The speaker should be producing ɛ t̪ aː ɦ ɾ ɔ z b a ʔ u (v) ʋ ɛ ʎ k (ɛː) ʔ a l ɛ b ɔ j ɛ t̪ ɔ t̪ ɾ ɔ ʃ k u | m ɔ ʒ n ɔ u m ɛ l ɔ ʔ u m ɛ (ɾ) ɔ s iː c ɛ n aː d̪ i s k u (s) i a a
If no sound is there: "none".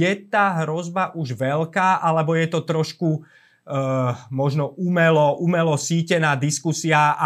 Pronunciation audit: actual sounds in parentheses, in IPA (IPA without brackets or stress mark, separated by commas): ʒ, aː, l, s